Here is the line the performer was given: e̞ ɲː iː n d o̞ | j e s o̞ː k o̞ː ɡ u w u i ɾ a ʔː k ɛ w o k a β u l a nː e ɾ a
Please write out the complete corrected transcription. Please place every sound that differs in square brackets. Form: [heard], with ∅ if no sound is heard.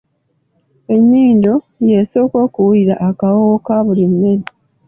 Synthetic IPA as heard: e̞ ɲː iː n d o̞ | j e s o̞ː k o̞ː [k] u w u i ɾ a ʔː k [a] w o k a β u l [i] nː e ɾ [i]